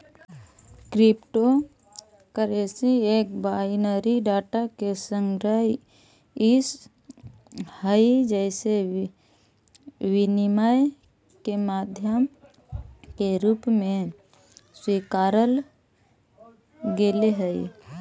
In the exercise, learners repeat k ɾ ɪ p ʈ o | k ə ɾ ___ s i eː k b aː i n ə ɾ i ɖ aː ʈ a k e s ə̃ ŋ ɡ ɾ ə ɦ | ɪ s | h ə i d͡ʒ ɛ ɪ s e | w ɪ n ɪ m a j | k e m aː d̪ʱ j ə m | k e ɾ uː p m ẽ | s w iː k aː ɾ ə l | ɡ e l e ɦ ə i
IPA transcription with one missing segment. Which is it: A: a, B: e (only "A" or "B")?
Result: B